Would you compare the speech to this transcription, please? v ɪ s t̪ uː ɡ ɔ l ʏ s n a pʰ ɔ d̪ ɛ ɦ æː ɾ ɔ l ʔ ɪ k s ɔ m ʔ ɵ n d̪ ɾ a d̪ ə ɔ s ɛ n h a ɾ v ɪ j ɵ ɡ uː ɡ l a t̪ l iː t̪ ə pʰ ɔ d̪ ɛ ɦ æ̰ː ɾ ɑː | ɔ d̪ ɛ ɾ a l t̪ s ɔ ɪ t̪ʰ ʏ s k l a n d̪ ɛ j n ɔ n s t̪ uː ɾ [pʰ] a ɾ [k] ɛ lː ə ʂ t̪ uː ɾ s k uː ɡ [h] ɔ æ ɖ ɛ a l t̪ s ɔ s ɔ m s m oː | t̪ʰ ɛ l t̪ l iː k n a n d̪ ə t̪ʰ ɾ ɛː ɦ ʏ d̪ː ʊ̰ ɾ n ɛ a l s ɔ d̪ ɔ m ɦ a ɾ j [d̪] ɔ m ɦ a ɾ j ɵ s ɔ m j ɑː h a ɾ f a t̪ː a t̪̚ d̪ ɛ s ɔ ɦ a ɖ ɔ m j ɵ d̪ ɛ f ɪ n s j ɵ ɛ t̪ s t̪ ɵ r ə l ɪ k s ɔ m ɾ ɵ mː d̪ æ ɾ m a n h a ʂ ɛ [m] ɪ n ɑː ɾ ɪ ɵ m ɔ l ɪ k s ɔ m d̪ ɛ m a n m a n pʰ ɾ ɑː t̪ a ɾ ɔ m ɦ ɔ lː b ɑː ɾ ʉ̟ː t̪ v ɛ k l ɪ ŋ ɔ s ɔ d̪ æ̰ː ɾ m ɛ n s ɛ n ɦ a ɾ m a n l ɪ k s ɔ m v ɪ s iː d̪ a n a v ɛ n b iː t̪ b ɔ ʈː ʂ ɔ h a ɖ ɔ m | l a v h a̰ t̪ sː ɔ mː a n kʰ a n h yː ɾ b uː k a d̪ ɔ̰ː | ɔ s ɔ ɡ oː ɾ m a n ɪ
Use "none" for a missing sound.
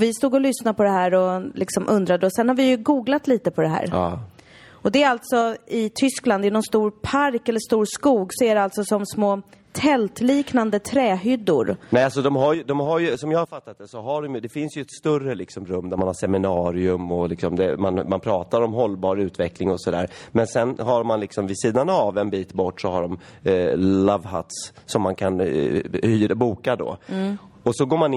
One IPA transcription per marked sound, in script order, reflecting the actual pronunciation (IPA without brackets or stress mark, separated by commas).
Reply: pʰ, k, s, d̪, m